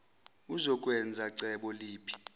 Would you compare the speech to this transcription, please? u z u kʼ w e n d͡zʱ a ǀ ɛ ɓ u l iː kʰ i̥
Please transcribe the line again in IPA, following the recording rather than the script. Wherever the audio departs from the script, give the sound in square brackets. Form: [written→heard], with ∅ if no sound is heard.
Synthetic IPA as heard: u z [u→ɔ] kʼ w [e→ɛ] n d͡zʱ a ǀ ɛ ɓ [u→ɔ] l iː [kʰ→pʰ] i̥

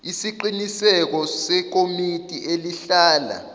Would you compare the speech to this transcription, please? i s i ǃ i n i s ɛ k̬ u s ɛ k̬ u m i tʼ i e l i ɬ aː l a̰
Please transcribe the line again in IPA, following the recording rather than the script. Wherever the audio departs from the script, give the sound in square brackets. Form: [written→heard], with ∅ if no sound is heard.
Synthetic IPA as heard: i s i ǃ i n i s ɛ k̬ [u→ɔ] s ɛ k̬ [u→o] m i tʼ i e l i ɬ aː l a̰

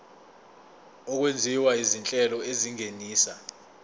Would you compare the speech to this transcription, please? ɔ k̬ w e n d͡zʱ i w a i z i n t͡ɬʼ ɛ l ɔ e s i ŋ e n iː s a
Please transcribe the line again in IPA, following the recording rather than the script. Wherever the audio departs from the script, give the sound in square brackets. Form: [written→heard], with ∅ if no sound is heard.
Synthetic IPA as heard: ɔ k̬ w e n d͡zʱ i w a i z i n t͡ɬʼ ɛ l ɔ e [s→z] i ŋ e n iː s a

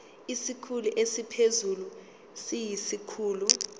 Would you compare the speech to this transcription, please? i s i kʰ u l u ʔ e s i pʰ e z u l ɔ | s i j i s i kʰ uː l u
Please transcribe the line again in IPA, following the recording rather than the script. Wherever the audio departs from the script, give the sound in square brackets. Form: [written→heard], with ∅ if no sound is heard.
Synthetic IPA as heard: i s i kʰ u l u ʔ e s i pʰ e z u l [ɔ→u] | s i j i s i kʰ uː l u

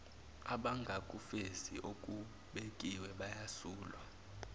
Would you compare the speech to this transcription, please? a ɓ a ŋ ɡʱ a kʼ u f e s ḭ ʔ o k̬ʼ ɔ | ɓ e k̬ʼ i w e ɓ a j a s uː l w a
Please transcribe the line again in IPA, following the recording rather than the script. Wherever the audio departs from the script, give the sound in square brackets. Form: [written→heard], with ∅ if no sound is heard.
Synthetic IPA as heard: a ɓ a ŋ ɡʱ a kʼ u f e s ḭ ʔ o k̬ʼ [ɔ→u] | ɓ e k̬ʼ i w [e→ɛ] ɓ a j a s uː l w a

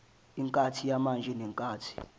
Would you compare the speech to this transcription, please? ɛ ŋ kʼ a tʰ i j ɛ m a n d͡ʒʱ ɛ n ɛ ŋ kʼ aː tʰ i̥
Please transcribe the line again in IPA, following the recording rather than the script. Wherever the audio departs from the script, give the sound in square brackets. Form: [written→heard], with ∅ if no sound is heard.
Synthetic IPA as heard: [ɛ→i] ŋ kʼ a tʰ i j [ɛ→a] m a n d͡ʒʱ ɛ n ɛ ŋ kʼ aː tʰ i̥

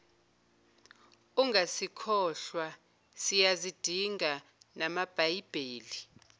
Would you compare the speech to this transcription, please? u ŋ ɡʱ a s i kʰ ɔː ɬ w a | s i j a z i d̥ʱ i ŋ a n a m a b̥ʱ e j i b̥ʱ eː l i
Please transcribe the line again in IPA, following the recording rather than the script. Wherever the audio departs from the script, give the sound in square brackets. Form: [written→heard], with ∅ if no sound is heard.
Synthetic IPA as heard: u ŋ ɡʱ a s i kʰ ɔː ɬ w a | s i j a z i d̥ʱ i ŋ a n a m a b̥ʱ [e→a] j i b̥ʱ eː l i

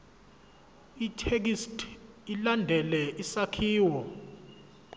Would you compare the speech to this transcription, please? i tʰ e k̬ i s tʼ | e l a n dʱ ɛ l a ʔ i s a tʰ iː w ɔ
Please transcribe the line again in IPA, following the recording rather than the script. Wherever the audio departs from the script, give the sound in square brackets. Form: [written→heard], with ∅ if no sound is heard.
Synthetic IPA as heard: i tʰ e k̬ i s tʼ | [e→i] l a n dʱ ɛ l [a→ɛ] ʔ i s a [tʰ→kʰ] iː w ɔ

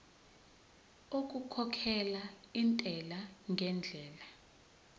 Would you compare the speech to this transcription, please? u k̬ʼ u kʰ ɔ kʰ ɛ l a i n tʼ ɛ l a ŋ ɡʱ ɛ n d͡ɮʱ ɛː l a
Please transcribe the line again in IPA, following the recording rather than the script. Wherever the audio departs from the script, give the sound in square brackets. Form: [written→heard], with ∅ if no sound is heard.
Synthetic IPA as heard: [u→o] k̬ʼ u kʰ ɔ kʰ ɛ l a i n tʼ ɛ l a ŋ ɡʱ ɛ n d͡ɮʱ ɛː l a

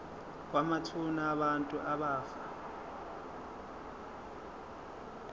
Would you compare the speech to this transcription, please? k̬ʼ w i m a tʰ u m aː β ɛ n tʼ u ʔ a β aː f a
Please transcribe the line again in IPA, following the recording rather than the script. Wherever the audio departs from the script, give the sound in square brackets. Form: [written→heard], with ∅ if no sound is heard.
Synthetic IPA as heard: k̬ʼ w [i→a] m a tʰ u [m→n] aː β [ɛ→a] n tʼ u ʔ a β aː f a

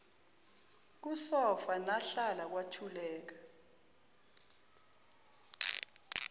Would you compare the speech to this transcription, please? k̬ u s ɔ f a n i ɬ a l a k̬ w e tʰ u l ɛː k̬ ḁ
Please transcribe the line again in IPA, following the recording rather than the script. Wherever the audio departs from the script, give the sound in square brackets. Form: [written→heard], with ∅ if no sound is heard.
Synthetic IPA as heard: k̬ u s ɔ f a n [i→a] ɬ a l a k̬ w [e→a] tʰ u l ɛː k̬ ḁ

